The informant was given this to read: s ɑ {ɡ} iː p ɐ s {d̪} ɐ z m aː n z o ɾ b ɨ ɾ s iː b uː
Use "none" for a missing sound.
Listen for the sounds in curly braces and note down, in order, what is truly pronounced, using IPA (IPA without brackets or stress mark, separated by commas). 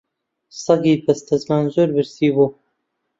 ɡ, t̪